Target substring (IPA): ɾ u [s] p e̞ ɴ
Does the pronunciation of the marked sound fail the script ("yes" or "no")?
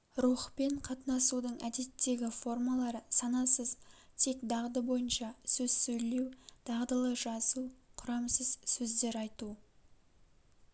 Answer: yes